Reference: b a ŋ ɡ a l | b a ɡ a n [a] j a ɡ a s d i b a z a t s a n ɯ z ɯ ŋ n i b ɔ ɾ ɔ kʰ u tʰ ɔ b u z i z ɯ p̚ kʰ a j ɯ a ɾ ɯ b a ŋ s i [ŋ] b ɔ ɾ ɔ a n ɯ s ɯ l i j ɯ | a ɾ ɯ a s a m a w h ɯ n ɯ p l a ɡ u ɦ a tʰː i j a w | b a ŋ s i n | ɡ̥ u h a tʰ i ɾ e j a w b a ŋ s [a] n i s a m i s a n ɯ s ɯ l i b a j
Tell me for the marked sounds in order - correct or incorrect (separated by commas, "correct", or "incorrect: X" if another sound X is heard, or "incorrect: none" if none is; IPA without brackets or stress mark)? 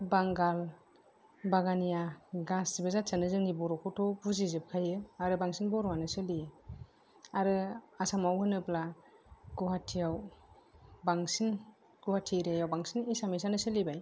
incorrect: i, incorrect: n, incorrect: i